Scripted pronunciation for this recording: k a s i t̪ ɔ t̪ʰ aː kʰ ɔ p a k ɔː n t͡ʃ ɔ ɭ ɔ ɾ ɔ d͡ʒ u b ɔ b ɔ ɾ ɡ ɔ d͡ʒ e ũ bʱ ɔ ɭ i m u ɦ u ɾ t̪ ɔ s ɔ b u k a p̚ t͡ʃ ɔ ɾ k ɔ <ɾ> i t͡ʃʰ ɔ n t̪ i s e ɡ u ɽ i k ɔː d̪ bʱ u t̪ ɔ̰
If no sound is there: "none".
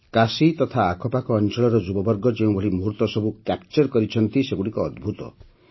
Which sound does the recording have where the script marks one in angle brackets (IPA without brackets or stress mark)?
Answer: ɾ